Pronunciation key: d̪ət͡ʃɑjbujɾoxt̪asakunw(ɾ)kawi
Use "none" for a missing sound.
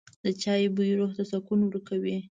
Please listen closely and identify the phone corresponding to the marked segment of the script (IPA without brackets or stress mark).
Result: ɾ